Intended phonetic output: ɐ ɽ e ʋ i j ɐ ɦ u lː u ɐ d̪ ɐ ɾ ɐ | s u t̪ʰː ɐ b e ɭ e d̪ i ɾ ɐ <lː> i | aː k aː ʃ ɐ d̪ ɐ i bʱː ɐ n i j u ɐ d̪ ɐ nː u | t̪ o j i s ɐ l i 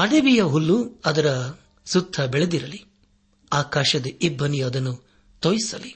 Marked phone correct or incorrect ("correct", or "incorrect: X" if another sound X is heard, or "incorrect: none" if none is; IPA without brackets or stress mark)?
incorrect: l